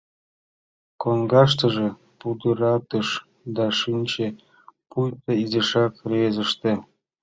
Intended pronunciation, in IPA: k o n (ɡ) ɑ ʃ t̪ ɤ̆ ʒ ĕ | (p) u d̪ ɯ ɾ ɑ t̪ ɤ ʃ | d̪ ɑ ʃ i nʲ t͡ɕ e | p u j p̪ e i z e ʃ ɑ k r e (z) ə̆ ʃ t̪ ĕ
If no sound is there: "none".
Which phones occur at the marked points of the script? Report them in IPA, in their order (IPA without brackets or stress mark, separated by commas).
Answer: ɡ, p, z